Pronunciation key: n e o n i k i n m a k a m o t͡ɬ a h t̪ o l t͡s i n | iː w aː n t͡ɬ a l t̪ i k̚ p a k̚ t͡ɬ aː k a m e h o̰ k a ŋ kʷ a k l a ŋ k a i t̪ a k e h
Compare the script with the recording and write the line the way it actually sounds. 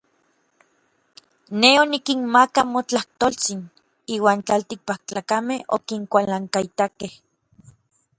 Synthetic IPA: n e o n i k i n m a k a m o t͡ɬ a h t̪ o l t͡s i n | iː w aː n t͡ɬ a l t̪ i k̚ p a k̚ t͡ɬ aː k a m e h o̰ k i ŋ kʷ a l a ŋ k a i t̪ a k e h